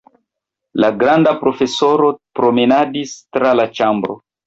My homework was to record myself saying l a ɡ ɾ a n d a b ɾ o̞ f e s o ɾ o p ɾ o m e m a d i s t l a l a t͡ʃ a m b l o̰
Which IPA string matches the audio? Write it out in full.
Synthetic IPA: l a ɡ ɾ a n d a p ɾ o̞ f e s o ɾ o p ɾ o m e n a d i s t ɾ a l a t͡ʃ a m b ɾ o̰